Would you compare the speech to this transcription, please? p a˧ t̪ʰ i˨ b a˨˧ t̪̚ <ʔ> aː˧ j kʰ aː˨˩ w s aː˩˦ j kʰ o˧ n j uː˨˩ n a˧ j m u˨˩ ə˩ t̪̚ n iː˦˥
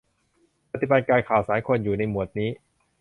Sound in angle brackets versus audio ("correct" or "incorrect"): incorrect